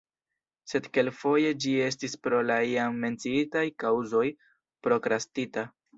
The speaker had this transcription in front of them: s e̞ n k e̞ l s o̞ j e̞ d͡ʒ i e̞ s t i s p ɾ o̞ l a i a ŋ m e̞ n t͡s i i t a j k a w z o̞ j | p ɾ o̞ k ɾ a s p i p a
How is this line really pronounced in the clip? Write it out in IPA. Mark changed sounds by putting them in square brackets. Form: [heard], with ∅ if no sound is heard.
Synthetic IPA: s e̞ [d] k e̞ l [f] o̞ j e̞ d͡ʒ i e̞ s t i s p ɾ o̞ l a i a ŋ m e̞ n t͡s i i t a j k a w z o̞ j | p ɾ o̞ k ɾ a s [t] i [t] a